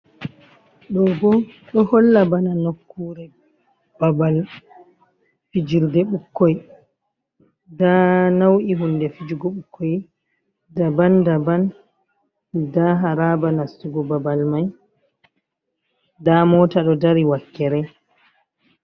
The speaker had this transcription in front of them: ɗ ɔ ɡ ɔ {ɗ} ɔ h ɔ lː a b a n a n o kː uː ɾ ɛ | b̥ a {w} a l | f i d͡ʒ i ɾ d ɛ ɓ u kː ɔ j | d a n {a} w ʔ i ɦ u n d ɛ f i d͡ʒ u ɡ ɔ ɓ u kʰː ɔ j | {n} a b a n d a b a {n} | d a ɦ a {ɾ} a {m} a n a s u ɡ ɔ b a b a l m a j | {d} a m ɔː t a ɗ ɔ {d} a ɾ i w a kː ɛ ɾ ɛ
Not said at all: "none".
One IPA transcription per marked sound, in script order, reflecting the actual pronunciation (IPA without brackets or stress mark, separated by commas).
ɗ, b, a, d, n, ɾ, b, d, d